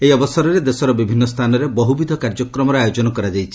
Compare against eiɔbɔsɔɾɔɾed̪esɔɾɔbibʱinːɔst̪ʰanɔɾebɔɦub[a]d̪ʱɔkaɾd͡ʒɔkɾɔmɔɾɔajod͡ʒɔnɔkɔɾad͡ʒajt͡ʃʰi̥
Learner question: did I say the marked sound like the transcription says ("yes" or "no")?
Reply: no